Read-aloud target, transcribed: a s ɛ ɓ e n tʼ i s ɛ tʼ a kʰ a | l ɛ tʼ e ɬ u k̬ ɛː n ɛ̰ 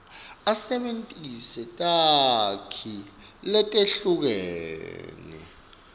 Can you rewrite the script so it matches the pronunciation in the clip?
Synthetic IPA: a s ɛ ɓ e n tʼ i s ɛ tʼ a kʰ i | l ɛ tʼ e ɬ u k̬ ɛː n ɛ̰